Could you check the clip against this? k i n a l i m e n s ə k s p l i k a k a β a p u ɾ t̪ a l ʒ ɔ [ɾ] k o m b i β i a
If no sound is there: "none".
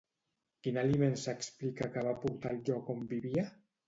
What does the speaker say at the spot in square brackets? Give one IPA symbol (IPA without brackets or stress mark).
none